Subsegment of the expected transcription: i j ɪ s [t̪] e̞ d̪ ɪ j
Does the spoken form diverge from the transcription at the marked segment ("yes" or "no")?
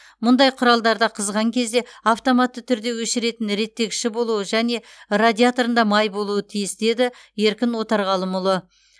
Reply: yes